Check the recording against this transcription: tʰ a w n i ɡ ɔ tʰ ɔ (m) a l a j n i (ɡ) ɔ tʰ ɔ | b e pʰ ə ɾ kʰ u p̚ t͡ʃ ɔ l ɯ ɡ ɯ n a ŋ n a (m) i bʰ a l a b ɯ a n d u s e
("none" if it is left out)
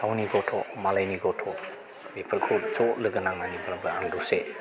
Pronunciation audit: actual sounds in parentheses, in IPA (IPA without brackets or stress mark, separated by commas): m, ɡ, n